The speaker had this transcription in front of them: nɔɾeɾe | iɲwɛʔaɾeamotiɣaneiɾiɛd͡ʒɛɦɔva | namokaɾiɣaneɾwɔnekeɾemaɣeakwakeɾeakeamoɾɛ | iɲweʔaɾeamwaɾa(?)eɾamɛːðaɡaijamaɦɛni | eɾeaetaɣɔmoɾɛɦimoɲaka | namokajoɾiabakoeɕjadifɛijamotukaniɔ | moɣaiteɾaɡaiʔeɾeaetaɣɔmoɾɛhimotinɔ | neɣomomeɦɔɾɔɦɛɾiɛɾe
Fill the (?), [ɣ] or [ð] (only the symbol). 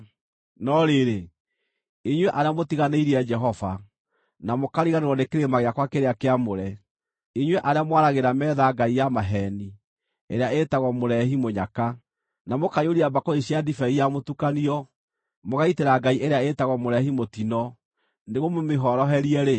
ɣ